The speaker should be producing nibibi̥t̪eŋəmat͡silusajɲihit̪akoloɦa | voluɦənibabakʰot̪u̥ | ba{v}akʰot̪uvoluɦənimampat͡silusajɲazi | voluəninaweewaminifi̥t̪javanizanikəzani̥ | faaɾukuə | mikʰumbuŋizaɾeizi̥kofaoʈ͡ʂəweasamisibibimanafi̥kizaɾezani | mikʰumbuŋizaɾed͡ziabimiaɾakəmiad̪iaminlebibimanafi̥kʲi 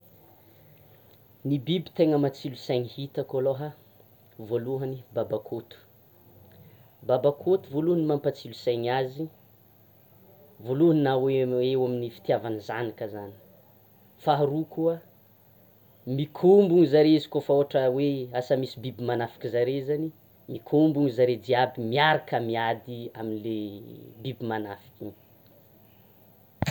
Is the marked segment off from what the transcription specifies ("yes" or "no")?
yes